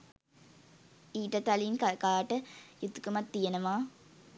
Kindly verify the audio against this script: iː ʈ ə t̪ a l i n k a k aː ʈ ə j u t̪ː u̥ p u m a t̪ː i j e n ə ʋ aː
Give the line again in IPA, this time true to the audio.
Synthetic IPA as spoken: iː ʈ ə t̪ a l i n k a k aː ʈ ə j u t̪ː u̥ k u m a t̪ː i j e n ə ʋ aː